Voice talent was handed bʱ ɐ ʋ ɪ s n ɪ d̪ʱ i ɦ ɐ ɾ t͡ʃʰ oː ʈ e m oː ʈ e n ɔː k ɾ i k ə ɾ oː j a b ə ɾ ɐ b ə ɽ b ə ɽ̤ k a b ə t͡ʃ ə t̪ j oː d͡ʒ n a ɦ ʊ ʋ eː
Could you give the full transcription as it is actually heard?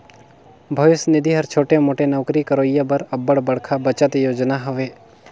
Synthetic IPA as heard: bʱ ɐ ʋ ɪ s n ɪ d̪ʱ i ɦ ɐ ɾ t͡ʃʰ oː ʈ e m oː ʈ e n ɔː k ɾ i k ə ɾ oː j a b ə ɾ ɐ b ə ɽ b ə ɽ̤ kʰ a b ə t͡ʃ ə t̪ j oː d͡ʒ n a ɦ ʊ ʋ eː

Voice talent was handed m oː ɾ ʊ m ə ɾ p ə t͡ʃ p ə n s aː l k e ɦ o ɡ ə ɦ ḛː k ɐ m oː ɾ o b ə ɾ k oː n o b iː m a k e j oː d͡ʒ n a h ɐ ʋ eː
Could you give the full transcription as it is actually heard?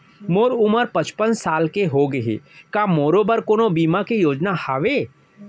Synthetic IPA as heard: m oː ɾ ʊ m ə ɾ p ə t͡ʃ p ə n s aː l k e ɦ o ɡ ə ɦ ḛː k a m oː ɾ o b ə ɾ k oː n o b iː m a k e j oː d͡ʒ n a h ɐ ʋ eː

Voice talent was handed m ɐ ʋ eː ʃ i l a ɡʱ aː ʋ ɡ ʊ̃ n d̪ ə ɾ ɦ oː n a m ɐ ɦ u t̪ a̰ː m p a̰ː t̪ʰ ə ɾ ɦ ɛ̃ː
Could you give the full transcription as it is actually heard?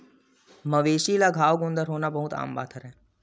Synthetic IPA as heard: m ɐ ʋ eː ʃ i l a ɡʱ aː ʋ ɡ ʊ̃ n d̪ ə ɾ ɦ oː n a b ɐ ɦ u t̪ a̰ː m b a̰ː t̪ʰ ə ɾ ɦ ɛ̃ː

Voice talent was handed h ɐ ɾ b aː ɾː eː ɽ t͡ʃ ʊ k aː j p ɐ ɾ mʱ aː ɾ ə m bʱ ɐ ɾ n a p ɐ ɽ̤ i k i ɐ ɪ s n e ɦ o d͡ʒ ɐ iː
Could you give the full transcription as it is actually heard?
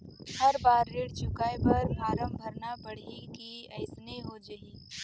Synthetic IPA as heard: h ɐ ɾ b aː ɾː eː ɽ t͡ʃ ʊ k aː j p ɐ ɾ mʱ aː ɾ ə m bʱ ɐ ɾ n a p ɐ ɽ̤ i k i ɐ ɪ s n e ɦ o d͡ʒ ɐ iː

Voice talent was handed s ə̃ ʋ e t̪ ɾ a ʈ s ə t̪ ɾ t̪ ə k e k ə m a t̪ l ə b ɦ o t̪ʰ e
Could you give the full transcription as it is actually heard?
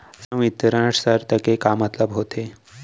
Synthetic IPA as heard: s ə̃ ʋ i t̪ ɾ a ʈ s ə ɾ t̪ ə k e k a m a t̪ l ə b ɦ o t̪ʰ e

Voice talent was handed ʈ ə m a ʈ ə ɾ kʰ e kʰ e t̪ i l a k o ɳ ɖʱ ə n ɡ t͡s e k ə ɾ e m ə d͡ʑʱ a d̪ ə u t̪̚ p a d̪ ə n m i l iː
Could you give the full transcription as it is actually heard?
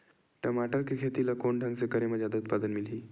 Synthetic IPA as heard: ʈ ə m a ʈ ə ɾ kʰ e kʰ e t̪ i l a k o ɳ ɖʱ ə ŋ ɡ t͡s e k ə ɾ e m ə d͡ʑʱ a d̪ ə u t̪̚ p a d̪ ə n m i l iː

